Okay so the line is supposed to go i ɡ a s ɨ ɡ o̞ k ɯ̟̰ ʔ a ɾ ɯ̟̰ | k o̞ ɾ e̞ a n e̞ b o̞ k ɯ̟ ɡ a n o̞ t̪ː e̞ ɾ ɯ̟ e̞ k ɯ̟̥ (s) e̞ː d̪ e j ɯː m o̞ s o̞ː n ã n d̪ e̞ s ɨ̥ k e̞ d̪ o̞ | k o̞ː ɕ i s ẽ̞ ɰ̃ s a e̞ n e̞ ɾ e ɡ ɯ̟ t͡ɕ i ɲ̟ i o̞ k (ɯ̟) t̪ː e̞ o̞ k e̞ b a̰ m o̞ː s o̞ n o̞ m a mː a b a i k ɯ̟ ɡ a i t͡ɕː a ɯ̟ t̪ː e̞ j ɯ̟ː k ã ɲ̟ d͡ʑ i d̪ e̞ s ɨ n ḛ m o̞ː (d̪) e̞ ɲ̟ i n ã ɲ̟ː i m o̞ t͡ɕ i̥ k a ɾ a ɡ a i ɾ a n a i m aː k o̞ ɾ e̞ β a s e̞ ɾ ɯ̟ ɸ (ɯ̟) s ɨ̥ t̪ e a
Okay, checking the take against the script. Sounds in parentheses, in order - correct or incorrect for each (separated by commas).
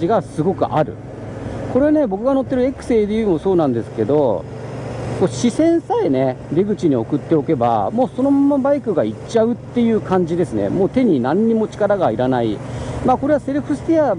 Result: correct, correct, incorrect, correct